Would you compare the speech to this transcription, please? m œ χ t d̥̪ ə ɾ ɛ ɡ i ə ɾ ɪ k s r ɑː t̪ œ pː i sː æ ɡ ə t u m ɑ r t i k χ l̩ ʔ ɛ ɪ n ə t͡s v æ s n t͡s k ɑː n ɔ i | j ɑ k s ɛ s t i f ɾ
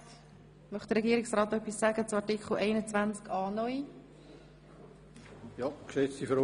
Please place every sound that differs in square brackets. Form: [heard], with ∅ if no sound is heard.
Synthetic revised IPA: m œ χ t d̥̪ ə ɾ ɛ ɡ i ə ɾ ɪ k s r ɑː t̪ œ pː i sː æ ɡ ə [t͡s] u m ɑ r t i k χ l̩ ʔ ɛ ɪ n ə t͡s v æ [∅] n t͡s k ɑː n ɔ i | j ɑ k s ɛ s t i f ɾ